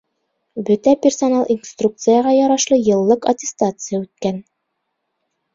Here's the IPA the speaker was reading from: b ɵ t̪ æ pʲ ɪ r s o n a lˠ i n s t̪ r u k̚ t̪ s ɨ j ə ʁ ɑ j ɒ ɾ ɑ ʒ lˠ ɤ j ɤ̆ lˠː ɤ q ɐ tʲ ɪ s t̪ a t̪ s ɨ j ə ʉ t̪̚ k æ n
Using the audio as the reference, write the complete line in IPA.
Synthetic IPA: b ɵ t̪ æ pʲ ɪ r s o n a lˠ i n s t̪ r u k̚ t̪ s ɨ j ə ʁ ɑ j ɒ ɾ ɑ ʃ lˠ ɤ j ɤ̆ lˠː ɤ q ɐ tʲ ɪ s t̪ a t̪ s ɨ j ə ʉ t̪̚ k æ n